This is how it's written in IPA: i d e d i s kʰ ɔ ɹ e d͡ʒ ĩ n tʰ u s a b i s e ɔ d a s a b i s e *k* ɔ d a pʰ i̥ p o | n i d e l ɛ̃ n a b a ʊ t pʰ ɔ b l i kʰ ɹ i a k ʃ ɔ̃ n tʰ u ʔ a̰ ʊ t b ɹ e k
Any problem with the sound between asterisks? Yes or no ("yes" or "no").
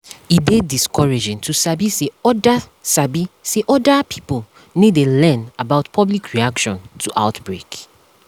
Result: yes